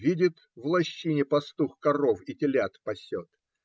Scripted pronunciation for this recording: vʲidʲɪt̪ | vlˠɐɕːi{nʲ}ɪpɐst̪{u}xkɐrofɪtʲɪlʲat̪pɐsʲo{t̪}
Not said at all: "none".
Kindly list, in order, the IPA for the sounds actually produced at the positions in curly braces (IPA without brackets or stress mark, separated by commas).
nʲ, u, t̪